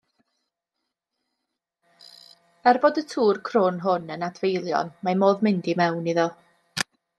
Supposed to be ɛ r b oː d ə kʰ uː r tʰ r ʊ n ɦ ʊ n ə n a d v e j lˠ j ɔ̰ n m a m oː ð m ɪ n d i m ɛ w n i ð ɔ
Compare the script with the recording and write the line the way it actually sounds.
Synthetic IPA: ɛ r b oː d ə tʰ uː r kʰ r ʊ n ɦ ʊ n ə n a d v e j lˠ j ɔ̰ n m a m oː ð m ɪ n d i m ɛ w n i ð ɔ